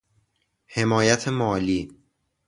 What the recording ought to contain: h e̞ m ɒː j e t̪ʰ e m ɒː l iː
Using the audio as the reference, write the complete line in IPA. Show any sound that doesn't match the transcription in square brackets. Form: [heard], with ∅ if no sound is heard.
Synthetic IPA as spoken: h e̞ m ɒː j [æ] t̪ʰ e m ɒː l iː